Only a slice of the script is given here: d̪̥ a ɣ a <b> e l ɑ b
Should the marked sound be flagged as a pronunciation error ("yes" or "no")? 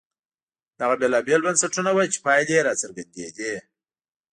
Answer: no